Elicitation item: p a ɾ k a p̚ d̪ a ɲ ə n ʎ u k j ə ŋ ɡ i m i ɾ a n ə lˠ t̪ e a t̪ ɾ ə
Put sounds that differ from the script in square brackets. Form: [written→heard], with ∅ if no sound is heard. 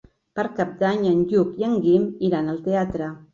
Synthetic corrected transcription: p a ɾ k a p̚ d̪ a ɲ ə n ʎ u k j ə ŋ ɡ i m i ɾ a n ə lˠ t̪ e a t̪ ɾ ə